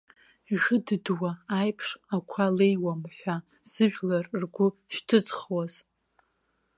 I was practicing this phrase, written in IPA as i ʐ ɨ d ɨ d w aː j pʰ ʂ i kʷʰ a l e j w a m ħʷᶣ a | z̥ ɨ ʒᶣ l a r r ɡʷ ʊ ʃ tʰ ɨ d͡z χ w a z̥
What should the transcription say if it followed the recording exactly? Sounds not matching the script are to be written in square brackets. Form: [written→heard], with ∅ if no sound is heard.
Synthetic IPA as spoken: i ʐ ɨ d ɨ d w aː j pʰ ʂ [i→a] kʷʰ a l e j w a m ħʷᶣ a | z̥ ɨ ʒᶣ l a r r ɡʷ ʊ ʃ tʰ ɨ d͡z χ w a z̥